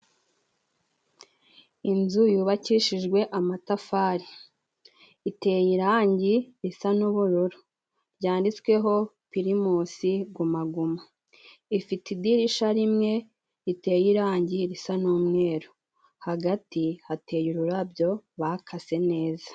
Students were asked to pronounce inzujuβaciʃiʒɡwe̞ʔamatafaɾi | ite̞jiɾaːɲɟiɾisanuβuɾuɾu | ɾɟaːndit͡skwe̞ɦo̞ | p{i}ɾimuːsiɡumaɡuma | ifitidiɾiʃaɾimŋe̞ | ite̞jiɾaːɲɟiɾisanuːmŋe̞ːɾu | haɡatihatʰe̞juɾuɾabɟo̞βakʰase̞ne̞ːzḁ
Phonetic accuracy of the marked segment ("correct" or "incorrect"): correct